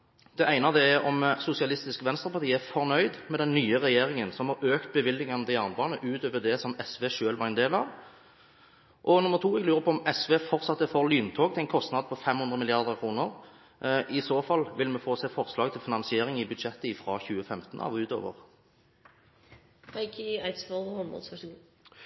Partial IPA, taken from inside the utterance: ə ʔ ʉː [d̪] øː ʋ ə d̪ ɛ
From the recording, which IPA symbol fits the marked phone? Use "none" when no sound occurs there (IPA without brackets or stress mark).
t̪